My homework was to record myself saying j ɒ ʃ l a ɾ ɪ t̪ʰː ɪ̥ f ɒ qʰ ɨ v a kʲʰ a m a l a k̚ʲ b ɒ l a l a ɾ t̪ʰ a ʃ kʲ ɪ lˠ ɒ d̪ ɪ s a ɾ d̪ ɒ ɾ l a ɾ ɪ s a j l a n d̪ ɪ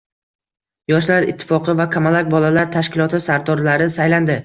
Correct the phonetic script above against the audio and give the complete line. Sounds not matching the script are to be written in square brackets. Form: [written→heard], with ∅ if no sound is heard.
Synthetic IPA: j ɒ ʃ l a ɾ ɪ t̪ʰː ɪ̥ f ɒ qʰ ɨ v a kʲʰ a m a l a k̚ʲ b ɒ l a l a ɾ t̪ʰ a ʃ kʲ ɪ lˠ ɒ [d̪→t̪] ɪ s a ɾ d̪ ɒ ɾ l a ɾ ɪ s a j l a n d̪ ɪ